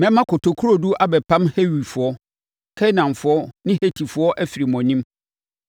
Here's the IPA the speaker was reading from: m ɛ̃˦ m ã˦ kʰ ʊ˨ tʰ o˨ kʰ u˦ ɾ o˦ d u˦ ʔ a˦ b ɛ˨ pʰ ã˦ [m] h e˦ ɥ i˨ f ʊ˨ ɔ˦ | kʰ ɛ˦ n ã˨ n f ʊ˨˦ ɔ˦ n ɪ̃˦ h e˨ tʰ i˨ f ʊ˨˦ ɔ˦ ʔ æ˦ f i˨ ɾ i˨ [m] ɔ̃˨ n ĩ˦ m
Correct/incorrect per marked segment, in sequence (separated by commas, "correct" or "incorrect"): correct, correct